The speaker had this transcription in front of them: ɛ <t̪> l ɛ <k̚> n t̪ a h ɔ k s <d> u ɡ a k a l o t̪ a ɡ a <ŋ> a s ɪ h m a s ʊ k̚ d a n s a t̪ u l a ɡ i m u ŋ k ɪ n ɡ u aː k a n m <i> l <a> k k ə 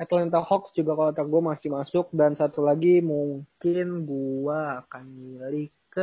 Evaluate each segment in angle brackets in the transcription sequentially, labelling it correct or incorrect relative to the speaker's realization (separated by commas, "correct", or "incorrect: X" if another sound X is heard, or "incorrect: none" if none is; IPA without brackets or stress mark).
correct, incorrect: none, incorrect: d͡ʒ, incorrect: m, correct, incorrect: i